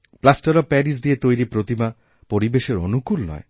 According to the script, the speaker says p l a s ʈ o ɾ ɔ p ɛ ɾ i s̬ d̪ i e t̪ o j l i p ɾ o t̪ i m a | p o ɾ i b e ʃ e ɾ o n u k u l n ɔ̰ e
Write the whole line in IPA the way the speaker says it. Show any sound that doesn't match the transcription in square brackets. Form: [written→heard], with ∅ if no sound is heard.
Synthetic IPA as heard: p l a s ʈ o ɾ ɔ p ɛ ɾ i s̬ d̪ i e t̪ o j [l→ɾ] i p ɾ o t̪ i m a | p o ɾ i b e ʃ e ɾ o n u k u l n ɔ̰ e